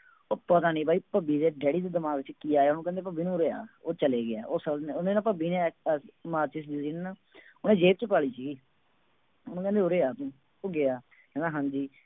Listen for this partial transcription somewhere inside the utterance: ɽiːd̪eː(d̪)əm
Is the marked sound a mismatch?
no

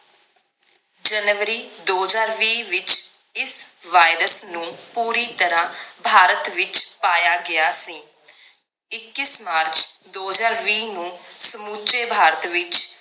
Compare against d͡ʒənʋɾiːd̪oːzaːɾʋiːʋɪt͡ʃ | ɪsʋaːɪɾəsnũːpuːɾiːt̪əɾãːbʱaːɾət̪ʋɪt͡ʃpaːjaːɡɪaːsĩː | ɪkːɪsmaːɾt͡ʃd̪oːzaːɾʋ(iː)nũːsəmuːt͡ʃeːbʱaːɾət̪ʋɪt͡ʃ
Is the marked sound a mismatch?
no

